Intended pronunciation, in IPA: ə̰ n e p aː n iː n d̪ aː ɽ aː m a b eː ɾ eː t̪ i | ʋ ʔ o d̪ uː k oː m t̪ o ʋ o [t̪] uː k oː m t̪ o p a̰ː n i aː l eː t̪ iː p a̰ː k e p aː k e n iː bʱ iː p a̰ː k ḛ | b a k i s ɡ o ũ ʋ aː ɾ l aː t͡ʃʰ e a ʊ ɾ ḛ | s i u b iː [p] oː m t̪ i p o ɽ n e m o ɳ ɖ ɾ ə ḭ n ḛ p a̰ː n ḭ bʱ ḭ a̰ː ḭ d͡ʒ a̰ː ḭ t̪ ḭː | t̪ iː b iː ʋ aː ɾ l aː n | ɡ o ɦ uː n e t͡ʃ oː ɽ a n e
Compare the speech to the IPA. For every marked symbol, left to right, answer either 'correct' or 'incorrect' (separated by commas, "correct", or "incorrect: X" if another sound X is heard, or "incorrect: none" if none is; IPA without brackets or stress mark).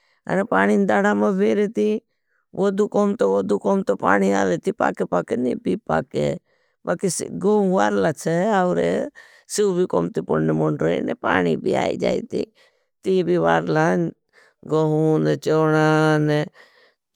incorrect: d̪, incorrect: k